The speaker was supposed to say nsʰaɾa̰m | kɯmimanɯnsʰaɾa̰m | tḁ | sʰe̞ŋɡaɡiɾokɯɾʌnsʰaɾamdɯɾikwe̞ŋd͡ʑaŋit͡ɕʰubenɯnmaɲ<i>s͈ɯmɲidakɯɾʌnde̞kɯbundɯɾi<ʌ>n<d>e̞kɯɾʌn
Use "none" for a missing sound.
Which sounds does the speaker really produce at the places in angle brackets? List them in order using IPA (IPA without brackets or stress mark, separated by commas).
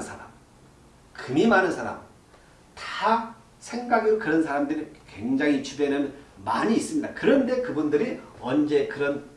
iː, ʌ, d͡ʑ